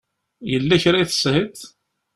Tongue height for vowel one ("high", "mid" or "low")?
mid